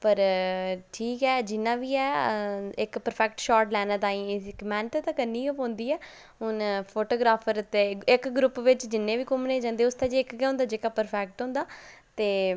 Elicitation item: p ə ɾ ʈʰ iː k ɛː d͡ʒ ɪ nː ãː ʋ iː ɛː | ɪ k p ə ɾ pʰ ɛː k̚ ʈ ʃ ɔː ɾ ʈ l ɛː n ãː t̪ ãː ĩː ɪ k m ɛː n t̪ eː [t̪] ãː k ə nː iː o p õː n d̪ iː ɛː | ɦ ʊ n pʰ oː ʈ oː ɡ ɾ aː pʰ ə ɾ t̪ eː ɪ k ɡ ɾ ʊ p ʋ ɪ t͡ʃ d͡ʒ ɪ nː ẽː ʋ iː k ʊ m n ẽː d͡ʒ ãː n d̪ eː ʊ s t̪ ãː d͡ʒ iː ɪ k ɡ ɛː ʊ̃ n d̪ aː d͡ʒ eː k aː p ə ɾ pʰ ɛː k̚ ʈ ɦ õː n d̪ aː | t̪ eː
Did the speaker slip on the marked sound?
no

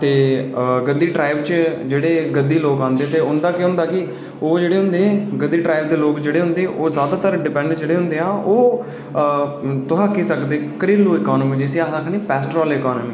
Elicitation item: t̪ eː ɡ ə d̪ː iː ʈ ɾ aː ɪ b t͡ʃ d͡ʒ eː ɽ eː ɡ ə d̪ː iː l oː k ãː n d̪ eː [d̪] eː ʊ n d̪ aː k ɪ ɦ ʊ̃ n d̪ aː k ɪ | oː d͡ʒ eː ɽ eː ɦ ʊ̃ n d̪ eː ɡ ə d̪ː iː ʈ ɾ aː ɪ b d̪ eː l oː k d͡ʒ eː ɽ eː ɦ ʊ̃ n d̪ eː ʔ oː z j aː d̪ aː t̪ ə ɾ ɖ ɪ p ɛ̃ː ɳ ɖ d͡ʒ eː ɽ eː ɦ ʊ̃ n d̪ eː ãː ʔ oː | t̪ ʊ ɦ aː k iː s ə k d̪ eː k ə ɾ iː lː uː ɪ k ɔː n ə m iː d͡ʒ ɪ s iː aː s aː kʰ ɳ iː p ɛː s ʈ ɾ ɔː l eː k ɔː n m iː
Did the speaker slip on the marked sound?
yes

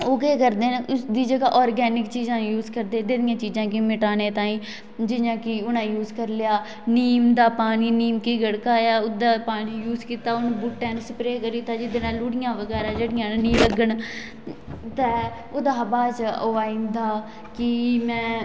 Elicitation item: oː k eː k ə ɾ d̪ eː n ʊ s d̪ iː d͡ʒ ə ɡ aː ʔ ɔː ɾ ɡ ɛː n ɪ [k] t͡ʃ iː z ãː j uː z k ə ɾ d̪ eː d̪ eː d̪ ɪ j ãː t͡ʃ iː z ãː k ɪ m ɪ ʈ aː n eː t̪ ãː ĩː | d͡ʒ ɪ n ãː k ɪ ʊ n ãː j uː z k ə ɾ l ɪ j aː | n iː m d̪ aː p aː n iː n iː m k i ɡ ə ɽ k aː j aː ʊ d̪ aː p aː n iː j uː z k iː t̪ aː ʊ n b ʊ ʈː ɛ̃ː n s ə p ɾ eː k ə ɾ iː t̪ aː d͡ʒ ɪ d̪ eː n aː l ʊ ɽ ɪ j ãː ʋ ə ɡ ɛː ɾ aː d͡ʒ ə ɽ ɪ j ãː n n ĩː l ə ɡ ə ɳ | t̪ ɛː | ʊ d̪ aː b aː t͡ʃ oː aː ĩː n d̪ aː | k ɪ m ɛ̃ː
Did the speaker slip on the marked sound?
no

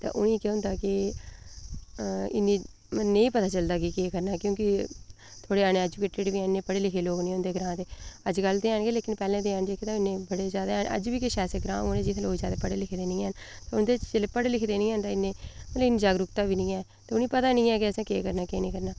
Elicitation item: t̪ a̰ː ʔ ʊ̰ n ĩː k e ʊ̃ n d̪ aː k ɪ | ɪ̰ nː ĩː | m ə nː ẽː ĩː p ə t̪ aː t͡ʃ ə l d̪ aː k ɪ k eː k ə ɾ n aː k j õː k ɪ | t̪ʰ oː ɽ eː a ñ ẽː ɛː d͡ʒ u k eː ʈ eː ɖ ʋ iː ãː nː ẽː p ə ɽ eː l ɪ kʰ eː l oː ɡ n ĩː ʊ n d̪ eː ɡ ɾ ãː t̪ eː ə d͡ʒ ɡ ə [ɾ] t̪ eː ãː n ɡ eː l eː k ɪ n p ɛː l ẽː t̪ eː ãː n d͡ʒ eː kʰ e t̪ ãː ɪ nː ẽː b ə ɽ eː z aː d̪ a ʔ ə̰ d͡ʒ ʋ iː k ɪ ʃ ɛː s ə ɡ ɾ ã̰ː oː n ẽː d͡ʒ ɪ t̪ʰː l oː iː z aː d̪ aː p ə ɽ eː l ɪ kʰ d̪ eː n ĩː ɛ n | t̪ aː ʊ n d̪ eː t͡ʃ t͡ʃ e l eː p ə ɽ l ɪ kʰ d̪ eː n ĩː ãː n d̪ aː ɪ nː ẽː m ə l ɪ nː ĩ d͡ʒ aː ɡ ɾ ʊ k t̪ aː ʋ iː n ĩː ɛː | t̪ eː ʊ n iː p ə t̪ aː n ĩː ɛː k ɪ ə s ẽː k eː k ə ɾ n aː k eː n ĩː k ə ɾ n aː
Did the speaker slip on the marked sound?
yes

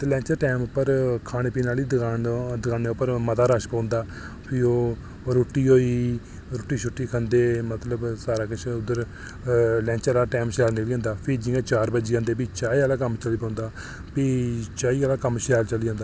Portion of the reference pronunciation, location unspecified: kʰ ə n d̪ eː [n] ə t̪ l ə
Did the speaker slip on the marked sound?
yes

